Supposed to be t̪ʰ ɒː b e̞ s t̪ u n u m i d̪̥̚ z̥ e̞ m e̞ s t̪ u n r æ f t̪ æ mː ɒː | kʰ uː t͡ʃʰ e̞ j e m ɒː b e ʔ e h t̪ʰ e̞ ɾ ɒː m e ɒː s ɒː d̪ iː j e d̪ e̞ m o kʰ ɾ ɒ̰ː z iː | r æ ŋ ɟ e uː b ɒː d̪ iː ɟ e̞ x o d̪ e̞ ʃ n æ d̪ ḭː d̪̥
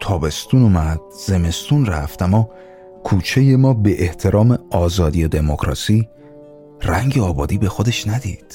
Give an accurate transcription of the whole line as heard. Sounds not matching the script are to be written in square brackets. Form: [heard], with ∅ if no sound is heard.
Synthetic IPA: t̪ʰ ɒː b e̞ s t̪ u n u m [æ] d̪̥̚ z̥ e̞ m e̞ s t̪ u n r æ f t̪ æ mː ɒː | kʰ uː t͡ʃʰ e̞ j e m ɒː b e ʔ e h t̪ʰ e̞ ɾ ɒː m e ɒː [z] ɒː d̪ [i] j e d̪ e̞ m o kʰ ɾ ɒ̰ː [s] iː | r æ ŋ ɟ e [ɒː] b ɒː d̪ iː [b] e̞ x o d̪ e̞ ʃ n æ d̪ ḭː d̪̥